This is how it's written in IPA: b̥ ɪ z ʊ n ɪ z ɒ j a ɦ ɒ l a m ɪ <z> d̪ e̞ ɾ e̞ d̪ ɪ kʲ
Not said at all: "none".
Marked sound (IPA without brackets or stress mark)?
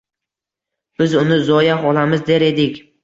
z